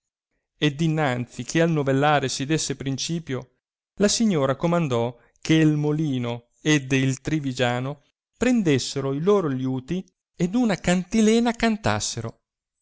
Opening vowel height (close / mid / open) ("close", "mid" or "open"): mid